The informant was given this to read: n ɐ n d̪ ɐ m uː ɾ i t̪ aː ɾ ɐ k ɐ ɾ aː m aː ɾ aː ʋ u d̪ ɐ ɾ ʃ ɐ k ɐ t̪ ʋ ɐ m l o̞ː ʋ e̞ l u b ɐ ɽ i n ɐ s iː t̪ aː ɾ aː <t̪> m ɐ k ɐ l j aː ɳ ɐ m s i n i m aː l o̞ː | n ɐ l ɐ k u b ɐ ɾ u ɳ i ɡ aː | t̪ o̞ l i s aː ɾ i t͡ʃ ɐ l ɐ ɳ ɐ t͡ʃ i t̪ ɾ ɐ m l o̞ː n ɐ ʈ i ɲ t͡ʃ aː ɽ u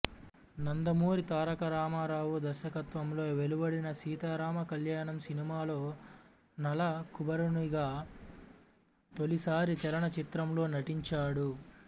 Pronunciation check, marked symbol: incorrect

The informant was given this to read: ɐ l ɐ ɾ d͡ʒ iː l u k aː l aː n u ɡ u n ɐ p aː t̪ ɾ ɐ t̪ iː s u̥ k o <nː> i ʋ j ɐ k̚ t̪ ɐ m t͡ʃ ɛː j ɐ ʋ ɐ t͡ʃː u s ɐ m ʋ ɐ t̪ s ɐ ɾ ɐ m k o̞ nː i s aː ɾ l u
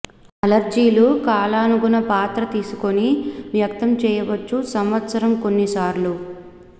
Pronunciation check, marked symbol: incorrect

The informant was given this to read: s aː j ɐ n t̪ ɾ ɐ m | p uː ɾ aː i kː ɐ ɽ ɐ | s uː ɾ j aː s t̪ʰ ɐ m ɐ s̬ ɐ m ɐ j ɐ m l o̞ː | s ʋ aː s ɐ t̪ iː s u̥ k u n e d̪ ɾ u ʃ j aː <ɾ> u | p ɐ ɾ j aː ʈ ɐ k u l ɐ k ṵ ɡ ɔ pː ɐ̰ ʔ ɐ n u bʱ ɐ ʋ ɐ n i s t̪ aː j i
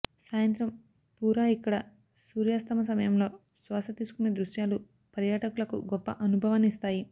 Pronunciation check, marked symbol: incorrect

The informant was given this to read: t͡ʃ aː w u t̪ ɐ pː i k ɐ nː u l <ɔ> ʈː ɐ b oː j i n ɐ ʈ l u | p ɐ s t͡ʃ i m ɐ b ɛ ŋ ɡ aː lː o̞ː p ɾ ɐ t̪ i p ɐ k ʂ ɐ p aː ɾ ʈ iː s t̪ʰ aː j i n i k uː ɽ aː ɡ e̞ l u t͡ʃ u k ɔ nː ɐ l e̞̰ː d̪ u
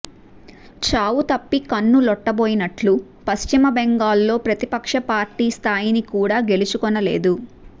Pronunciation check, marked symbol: correct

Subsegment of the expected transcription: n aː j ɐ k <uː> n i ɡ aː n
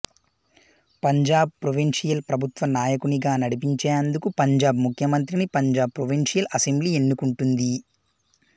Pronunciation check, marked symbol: incorrect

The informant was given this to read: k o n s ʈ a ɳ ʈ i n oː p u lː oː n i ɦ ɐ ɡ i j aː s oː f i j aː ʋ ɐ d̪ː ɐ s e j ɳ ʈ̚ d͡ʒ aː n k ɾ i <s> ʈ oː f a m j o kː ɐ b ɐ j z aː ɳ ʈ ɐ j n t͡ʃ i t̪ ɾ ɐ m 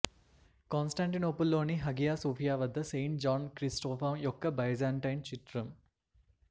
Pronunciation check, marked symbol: correct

